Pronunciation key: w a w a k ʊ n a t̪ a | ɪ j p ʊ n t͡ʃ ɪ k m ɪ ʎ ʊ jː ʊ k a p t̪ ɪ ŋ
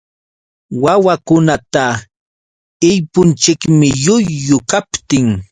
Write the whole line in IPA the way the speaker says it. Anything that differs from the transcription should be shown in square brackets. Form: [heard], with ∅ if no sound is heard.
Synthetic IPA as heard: w a w a k ʊ n a t̪ a | ɪ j p ʊ n t͡ʃ ɪ k m ɪ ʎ ʊ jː ʊ k a p t̪ ɪ ŋ

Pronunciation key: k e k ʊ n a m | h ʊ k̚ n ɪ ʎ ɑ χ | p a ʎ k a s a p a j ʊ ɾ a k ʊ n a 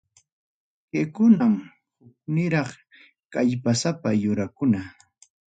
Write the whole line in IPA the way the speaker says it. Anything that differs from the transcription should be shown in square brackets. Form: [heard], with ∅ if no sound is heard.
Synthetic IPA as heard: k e k ʊ n a m | h ʊ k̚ n ɪ [ɾ] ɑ χ | [k] a ʎ [p] a s a p a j ʊ ɾ a k ʊ n a

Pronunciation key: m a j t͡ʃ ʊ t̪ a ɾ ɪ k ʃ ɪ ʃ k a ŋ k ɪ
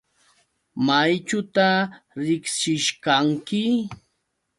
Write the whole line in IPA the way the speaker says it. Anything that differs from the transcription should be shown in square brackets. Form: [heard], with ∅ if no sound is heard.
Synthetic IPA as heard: m a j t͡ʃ ʊ t̪ a ɾ ɪ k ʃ ɪ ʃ k a ŋ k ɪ

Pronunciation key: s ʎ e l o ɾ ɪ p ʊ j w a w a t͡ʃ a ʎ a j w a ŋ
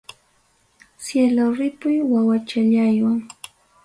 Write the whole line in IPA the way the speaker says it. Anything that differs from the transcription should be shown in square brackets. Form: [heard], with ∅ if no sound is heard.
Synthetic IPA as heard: s [j] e l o ɾ ɪ p ʊ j w a w a t͡ʃ a ʎ a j w a ŋ

